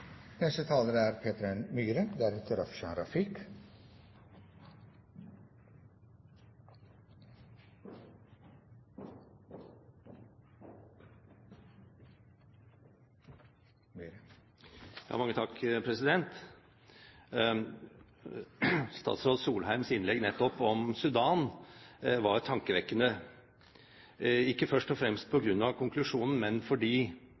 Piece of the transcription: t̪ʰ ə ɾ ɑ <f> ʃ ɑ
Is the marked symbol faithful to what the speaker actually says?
yes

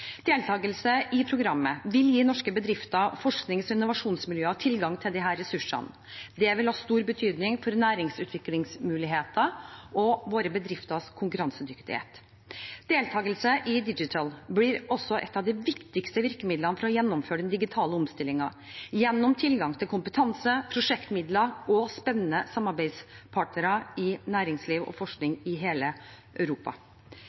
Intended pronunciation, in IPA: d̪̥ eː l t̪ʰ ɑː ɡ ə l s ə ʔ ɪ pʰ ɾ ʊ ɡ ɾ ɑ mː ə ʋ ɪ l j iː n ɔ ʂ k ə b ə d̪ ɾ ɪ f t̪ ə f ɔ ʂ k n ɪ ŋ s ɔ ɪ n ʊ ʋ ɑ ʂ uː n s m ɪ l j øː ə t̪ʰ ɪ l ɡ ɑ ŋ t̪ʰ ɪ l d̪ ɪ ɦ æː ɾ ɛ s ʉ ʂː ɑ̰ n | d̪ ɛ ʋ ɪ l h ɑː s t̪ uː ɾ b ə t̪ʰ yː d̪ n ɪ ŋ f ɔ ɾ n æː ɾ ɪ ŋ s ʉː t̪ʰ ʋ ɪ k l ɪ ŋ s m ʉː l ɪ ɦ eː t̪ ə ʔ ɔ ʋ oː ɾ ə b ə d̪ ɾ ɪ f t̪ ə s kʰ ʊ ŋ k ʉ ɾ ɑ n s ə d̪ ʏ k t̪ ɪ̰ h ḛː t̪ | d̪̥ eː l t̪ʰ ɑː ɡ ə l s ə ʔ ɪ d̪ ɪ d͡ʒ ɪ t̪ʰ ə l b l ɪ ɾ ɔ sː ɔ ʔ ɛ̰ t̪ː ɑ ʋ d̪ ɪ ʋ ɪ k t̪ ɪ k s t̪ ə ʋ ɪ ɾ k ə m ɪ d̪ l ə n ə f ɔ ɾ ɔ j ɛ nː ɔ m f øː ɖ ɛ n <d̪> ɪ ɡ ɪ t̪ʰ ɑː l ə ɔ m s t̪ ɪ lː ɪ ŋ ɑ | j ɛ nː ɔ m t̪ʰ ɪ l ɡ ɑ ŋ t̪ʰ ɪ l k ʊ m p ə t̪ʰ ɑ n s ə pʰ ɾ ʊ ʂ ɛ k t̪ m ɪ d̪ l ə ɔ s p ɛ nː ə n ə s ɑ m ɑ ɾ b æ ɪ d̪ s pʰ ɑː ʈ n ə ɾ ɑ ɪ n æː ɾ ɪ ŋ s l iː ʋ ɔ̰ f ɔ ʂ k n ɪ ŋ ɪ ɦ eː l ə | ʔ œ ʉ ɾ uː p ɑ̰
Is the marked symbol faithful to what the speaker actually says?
yes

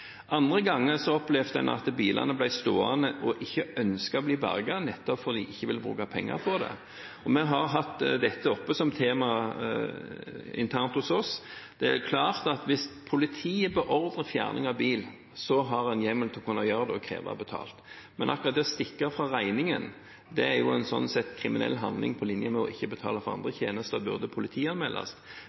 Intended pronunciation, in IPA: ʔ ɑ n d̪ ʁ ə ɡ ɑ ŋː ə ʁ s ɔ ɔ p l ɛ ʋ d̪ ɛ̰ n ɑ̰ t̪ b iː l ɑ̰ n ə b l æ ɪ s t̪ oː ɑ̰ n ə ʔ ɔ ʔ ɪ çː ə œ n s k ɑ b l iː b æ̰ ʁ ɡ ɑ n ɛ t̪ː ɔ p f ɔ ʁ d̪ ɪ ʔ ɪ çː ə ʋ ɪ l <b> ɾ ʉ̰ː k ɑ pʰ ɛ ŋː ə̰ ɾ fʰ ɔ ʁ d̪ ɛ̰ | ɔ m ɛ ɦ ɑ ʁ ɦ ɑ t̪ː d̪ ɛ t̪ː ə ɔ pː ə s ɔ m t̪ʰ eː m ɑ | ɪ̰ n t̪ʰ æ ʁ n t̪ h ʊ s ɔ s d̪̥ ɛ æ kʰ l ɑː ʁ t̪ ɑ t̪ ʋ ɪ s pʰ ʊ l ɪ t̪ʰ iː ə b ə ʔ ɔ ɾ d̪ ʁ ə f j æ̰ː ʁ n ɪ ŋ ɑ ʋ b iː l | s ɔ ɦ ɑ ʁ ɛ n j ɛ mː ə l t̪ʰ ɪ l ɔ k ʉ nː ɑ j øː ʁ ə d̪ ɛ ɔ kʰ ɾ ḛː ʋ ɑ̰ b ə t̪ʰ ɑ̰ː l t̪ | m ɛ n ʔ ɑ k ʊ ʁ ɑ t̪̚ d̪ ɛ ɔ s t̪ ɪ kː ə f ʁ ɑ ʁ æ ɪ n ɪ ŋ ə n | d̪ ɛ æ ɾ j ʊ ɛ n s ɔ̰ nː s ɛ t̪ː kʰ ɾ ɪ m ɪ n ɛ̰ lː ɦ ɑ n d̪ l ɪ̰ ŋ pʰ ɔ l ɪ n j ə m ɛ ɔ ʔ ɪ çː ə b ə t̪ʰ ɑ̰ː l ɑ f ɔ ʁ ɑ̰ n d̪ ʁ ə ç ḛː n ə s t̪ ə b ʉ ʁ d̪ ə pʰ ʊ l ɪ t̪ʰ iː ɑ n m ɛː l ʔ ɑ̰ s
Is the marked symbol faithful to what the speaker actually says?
yes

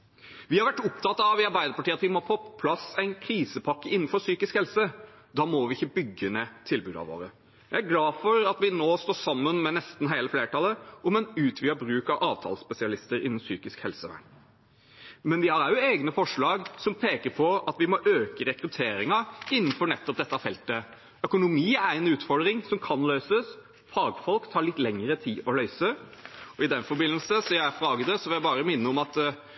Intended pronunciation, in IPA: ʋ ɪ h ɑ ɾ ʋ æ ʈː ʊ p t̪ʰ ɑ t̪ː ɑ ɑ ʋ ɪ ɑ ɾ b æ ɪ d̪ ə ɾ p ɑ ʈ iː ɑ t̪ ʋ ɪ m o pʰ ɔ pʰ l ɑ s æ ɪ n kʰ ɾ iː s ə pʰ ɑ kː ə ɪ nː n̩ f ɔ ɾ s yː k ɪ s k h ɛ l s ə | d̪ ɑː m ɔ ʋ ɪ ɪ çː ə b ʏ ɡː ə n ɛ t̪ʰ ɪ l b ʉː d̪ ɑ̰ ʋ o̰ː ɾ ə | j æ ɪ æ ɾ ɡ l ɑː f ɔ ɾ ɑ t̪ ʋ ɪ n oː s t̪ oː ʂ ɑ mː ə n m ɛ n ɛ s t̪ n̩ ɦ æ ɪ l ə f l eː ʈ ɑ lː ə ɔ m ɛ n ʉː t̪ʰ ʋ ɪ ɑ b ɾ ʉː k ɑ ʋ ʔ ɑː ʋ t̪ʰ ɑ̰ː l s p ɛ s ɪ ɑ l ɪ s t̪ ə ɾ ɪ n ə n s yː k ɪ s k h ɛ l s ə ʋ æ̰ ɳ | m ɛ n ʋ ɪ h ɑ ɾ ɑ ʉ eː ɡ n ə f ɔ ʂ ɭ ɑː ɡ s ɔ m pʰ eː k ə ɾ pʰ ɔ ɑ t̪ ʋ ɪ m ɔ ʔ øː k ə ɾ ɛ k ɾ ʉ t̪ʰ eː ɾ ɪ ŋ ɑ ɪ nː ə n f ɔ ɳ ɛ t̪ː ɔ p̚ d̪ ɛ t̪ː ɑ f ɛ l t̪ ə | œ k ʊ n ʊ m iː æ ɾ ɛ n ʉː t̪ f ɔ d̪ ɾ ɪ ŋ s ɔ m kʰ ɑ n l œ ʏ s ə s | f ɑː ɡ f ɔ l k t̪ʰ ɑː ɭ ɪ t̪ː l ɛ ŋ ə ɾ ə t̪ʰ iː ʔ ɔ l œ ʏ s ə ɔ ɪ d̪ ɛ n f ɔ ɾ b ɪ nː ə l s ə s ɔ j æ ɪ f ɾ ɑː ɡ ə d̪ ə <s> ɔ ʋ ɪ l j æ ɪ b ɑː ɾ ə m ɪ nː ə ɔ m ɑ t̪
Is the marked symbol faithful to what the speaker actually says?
yes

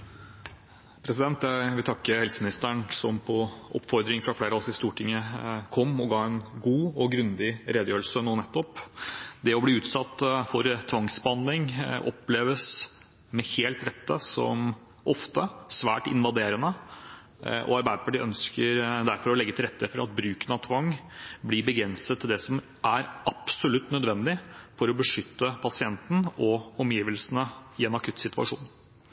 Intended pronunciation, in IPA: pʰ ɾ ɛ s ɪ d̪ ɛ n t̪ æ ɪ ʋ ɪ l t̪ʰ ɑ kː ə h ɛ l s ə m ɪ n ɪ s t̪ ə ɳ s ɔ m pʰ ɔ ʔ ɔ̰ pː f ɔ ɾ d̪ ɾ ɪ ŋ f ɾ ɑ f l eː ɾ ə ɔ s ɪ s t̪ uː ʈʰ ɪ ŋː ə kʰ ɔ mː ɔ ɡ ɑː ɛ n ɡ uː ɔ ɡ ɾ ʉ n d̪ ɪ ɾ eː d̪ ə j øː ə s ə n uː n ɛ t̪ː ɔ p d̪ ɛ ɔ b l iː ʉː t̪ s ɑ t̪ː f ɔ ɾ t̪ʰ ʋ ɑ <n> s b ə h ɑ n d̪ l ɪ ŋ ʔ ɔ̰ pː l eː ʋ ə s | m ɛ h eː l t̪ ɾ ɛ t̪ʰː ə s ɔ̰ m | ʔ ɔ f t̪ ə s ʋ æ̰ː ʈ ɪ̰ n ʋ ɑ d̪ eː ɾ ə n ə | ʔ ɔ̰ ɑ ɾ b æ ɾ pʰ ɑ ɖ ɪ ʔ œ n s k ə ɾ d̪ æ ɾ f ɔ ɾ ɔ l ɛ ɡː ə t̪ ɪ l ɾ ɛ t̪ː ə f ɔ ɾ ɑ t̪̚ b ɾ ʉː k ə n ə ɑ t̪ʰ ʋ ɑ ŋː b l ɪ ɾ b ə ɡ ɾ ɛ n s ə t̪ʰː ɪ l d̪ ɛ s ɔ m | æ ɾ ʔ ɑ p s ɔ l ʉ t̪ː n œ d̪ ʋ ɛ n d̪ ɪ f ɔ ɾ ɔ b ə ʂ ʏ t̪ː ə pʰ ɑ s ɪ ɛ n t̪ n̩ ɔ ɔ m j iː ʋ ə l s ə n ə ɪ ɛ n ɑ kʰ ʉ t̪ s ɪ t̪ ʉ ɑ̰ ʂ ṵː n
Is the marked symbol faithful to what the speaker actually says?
no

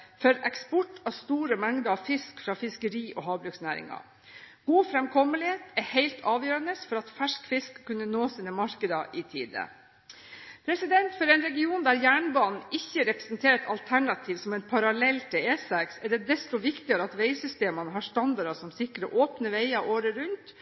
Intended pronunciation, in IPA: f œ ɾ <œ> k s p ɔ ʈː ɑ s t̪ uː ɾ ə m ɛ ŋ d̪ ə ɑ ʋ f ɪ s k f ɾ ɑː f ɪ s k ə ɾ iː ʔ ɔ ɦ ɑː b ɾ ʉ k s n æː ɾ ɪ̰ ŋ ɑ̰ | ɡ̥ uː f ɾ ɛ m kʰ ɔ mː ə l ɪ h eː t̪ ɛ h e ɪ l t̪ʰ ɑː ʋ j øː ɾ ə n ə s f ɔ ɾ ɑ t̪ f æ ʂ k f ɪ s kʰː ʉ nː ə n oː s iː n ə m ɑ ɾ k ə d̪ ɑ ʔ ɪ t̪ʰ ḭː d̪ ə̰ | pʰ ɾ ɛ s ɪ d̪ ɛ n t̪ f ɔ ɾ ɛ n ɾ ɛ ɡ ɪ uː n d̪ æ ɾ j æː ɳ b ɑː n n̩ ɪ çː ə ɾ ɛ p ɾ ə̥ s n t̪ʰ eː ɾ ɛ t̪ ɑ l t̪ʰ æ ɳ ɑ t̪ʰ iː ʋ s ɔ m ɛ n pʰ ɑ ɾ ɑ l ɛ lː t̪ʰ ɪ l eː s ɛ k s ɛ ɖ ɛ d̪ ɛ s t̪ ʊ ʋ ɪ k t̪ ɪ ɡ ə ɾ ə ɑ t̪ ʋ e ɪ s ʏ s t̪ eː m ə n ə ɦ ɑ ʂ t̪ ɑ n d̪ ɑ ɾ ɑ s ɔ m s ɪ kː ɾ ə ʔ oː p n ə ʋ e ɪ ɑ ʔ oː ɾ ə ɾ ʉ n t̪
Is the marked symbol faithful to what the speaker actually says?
no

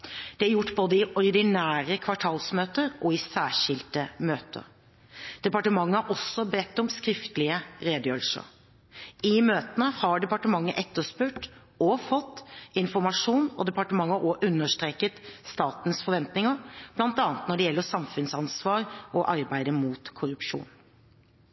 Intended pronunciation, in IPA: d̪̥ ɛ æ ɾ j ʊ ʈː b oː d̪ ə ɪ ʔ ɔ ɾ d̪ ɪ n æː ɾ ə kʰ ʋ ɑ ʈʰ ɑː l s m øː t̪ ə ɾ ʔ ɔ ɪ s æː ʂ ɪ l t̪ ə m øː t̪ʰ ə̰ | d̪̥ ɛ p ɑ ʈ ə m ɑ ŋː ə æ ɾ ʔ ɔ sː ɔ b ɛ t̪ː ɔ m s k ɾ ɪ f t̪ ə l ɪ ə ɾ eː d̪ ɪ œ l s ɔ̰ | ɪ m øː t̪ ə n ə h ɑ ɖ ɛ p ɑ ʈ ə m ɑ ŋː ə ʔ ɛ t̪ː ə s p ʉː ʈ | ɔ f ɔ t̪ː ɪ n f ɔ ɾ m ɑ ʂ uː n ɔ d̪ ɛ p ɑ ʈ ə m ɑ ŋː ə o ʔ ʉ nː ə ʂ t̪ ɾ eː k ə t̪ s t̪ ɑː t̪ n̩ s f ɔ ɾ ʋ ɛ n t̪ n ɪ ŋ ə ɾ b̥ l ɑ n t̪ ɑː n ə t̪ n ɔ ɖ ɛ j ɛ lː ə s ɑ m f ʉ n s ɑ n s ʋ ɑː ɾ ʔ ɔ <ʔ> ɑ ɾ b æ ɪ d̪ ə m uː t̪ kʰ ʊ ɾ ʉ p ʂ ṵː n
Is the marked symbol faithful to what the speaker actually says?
yes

